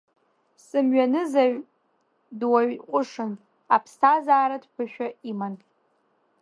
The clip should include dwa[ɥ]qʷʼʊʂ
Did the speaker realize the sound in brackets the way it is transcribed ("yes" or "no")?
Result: yes